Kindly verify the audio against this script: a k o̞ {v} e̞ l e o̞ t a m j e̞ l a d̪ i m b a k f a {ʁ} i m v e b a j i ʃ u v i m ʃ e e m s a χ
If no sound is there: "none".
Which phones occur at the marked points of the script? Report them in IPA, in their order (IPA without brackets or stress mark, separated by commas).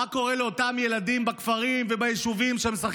ʁ, ʁ